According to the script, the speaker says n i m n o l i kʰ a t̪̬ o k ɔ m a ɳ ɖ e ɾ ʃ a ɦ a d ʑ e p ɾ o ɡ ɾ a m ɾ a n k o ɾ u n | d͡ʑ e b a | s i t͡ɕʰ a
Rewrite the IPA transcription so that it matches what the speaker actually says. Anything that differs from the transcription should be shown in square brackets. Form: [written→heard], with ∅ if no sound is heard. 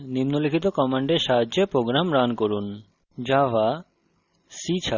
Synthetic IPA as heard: n i m n o l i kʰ [a→i] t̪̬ o k ɔ m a ɳ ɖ e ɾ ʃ a ɦ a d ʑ e p ɾ o ɡ ɾ a m ɾ a n k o ɾ u n | d͡ʑ [e→a] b a | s i t͡ɕʰ a